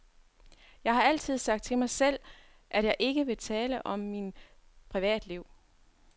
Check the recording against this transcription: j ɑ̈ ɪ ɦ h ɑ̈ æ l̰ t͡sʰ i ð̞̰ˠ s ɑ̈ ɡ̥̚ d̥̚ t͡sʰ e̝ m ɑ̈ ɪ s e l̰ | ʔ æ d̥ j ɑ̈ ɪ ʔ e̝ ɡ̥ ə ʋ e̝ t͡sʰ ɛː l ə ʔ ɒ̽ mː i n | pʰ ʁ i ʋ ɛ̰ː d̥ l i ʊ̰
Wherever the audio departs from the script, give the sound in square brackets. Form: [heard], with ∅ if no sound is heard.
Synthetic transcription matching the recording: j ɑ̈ ɪ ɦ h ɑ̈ æ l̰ t͡sʰ i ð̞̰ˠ s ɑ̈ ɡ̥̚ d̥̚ t͡sʰ e̝ m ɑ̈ ɪ s e l̰ | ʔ æ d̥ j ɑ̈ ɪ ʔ e̝ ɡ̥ ə ʋ e̝ t͡sʰ ɛː l ə ʔ ɒ̽ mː i n | pʰ ʁ i ʋ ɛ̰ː d̥ l i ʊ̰

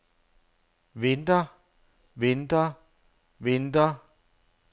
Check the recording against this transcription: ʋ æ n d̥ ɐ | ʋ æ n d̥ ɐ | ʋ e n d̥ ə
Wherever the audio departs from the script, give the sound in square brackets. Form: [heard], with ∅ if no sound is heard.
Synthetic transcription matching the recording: ʋ [e] n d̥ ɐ | ʋ [e] n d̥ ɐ | ʋ e n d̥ [ɐ]

